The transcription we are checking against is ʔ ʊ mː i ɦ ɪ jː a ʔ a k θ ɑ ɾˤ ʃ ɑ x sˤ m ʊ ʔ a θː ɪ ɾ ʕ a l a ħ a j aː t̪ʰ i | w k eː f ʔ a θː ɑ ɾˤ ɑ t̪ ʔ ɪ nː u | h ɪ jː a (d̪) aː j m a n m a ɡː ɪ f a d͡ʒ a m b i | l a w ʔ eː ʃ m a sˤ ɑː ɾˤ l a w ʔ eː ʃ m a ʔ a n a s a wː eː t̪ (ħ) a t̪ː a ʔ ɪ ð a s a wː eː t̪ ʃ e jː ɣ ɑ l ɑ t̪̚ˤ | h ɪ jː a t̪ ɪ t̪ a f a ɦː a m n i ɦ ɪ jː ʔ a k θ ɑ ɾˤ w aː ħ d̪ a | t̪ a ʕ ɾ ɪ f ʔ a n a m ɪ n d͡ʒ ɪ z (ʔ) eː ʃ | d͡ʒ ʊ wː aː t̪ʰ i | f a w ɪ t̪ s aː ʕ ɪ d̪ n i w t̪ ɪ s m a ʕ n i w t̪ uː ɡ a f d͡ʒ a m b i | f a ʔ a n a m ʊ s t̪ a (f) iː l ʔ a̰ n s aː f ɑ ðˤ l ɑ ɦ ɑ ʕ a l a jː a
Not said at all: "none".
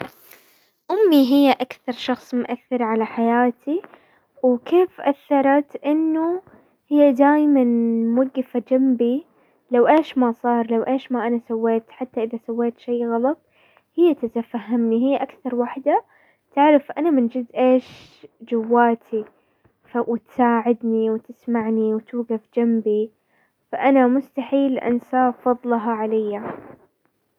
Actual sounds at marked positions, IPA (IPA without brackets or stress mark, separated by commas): d̪, ħ, ʔ, ħ